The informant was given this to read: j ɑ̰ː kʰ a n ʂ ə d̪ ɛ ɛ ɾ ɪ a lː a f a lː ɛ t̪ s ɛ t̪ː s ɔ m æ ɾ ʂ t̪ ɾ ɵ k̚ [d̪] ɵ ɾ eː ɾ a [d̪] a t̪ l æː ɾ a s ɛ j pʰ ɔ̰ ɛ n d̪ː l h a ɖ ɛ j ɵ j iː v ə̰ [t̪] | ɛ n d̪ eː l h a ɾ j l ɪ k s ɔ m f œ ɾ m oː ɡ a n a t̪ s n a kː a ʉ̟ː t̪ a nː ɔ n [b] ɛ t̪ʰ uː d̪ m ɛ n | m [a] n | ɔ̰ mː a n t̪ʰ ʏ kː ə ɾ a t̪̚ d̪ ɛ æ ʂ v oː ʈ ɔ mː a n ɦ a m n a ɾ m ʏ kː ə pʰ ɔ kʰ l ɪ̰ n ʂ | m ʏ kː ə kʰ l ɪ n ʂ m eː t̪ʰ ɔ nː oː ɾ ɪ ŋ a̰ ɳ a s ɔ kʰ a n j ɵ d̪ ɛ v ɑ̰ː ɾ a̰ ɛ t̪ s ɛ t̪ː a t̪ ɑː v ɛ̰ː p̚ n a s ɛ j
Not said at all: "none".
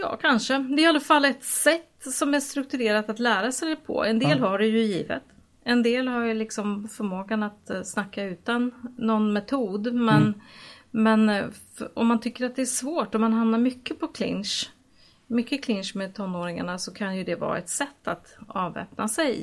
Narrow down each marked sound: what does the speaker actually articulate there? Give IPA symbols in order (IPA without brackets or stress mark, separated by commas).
t̪, t̪, t̪, m, ɛ